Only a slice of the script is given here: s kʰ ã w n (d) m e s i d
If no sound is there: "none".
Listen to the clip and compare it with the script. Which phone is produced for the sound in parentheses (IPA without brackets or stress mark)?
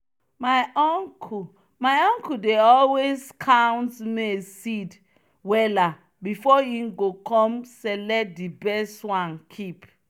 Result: t